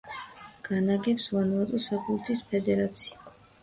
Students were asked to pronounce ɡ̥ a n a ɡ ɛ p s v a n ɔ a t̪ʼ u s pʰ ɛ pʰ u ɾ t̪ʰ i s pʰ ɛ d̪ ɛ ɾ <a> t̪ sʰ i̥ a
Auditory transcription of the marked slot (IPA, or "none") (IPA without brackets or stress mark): a